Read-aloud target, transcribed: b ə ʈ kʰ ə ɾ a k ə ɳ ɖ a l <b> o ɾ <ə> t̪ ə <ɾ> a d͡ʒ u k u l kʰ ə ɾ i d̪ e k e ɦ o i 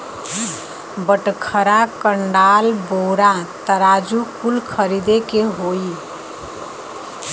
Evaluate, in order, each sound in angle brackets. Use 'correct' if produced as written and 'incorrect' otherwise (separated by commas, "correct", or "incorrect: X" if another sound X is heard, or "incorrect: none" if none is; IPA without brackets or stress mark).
correct, incorrect: a, correct